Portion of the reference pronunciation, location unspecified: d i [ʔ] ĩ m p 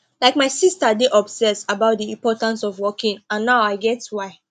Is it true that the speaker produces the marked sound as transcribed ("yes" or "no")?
no